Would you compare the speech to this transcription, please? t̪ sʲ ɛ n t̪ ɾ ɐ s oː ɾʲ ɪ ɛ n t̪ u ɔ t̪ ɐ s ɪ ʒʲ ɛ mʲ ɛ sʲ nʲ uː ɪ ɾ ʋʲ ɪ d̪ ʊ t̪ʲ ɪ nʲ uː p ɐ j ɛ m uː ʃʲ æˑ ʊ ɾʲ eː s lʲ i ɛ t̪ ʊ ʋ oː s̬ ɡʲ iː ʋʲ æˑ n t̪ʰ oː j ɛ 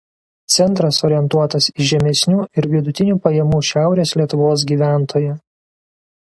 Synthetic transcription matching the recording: t̪ sʲ ɛ n t̪ ɾ ɐ s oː ɾʲ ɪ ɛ n t̪ u ɔ t̪ ɐ s ɪ ʒʲ ɛ mʲ ɛ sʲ nʲ uː ɪ ɾ ʋʲ ɪ d̪ ʊ t̪ʲ ɪ nʲ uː p ɐ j ɛ m uː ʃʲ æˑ ʊ ɾʲ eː s lʲ i ɛ t̪ ʊ ʋ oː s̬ ɡʲ iː ʋʲ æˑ n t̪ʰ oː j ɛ